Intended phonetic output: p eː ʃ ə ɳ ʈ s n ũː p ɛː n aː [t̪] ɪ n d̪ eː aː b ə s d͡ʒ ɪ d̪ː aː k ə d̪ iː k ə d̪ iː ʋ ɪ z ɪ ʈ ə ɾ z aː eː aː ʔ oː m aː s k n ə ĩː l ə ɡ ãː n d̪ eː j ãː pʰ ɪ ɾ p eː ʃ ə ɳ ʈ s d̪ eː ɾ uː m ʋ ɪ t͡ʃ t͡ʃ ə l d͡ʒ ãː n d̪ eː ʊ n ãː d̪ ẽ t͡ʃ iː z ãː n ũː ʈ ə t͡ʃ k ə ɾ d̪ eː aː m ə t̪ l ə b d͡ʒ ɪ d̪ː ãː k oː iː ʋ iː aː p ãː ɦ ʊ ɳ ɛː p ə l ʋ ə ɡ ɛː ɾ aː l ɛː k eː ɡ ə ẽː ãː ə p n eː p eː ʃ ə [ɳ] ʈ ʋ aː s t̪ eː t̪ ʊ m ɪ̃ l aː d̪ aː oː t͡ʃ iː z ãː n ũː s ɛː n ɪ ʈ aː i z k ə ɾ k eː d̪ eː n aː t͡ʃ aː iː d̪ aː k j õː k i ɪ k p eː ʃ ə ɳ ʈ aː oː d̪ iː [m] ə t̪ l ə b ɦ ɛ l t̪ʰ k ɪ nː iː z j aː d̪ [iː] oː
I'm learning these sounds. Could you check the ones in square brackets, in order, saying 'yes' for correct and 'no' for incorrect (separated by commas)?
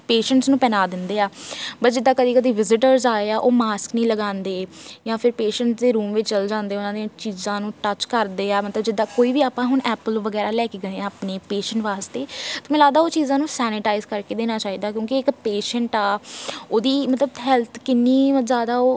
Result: no, yes, yes, no